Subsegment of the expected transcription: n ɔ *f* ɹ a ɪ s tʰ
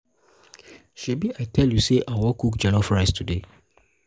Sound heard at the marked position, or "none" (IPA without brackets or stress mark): f